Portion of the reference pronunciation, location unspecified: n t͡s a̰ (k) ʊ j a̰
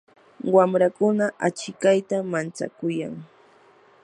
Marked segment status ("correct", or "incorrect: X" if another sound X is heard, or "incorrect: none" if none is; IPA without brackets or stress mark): correct